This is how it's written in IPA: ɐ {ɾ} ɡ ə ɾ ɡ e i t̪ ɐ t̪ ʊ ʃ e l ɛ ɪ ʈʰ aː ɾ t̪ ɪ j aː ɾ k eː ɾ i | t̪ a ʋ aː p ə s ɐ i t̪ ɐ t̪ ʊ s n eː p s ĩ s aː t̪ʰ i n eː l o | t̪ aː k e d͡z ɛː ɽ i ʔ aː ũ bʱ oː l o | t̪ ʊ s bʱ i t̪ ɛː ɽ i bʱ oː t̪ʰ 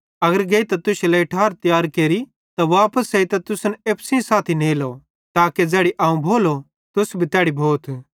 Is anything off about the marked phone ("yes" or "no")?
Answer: yes